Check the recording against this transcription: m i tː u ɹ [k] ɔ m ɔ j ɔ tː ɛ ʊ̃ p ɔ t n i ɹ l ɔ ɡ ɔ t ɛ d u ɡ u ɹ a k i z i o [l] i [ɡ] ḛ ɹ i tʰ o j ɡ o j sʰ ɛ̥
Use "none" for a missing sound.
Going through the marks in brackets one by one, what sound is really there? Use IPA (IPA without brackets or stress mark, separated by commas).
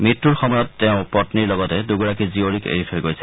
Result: x, ɹ, k